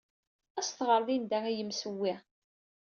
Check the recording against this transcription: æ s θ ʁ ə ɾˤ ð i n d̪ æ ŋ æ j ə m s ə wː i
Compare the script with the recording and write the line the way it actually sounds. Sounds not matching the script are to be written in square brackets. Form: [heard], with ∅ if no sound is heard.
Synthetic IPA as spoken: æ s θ ʁ ə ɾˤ ð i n d̪ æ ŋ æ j ə m s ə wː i